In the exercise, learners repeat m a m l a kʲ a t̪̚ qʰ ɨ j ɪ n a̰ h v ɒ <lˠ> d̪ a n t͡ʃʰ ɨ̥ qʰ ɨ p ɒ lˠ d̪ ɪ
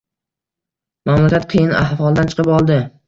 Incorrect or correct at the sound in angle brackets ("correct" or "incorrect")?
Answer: correct